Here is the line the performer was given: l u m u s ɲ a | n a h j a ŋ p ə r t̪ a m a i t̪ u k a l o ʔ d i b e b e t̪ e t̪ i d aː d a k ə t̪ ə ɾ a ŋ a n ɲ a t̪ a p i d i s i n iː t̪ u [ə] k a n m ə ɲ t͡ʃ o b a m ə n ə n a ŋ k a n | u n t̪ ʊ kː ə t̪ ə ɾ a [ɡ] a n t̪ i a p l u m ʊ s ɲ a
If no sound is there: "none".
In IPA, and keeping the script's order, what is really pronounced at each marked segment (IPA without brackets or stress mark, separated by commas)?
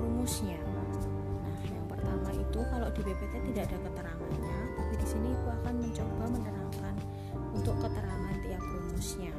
a, ŋ